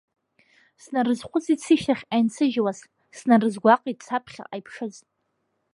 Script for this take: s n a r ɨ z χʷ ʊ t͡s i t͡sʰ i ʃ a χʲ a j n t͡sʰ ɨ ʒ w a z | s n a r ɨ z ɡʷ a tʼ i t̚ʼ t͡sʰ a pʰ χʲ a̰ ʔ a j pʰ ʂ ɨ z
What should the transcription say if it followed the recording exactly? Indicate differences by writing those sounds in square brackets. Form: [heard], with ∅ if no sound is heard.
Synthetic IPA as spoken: s n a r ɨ z χʷ ʊ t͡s i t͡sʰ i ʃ a χʲ a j n t͡sʰ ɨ ʒ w a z | s n a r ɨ z ɡʷ a [qʼ] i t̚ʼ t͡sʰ a pʰ χʲ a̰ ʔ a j pʰ ʂ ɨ z